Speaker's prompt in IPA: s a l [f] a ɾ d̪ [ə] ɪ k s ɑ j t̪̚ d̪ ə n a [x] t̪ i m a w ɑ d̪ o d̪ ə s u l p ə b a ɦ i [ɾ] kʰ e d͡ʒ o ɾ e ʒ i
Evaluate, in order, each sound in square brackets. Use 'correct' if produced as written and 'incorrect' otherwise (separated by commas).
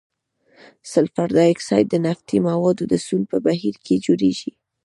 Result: correct, incorrect, incorrect, correct